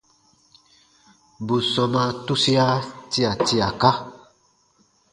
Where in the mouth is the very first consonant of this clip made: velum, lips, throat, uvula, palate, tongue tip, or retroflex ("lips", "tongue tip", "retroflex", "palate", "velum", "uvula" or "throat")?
lips